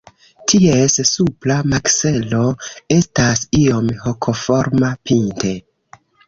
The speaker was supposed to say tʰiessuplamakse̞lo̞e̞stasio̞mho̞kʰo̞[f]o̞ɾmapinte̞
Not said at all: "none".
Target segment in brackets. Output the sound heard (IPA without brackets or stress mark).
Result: f